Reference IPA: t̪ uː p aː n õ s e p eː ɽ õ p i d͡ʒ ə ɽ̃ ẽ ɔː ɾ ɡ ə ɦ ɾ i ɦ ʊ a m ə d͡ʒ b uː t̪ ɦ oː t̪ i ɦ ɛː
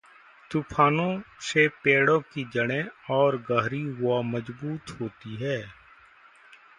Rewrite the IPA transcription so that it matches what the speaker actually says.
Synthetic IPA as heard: t̪ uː pʰ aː n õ s e p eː ɽ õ k i d͡ʒ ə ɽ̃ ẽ ɔː ɾ ɡ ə ɦ ɾ i ɦ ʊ a m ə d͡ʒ b uː t̪ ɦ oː t̪ i ɦ ɛː